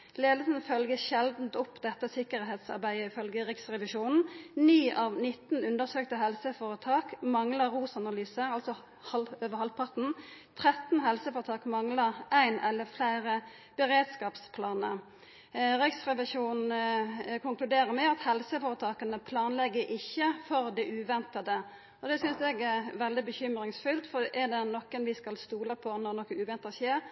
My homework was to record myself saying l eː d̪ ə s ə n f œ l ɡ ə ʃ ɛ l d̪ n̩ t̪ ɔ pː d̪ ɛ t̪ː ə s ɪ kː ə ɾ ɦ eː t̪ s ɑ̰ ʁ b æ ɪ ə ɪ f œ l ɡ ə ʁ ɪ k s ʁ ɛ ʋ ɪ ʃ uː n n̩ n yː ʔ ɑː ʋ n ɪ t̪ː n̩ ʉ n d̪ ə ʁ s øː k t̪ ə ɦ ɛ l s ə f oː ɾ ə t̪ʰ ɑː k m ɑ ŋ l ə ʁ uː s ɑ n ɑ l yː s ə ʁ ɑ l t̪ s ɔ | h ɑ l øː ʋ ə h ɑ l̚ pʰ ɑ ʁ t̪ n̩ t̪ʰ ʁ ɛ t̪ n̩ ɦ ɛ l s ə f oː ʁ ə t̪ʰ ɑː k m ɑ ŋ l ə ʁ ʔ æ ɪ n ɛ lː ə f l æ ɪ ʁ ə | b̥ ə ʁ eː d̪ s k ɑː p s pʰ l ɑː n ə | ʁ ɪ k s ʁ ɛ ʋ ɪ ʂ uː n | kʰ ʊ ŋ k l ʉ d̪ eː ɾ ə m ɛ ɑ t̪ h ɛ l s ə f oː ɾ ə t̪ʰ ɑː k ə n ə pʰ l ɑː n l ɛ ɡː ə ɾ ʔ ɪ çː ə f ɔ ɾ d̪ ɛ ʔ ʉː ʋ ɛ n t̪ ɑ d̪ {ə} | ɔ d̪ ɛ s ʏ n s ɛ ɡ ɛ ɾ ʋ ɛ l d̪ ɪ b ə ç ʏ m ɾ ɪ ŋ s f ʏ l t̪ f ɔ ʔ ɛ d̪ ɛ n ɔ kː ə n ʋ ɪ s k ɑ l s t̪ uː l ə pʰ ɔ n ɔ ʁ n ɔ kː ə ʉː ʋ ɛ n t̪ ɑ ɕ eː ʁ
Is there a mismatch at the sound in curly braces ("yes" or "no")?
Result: no